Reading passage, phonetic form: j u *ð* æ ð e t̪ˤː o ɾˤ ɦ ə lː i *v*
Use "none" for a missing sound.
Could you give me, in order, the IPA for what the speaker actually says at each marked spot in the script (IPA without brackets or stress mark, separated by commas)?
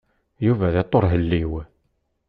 v, w